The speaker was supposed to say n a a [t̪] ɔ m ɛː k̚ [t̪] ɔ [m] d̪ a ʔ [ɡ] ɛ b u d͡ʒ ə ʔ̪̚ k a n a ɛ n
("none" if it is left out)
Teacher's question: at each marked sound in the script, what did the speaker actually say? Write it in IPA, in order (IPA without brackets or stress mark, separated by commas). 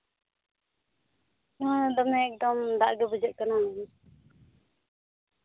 d̪, d̪, m, ɡ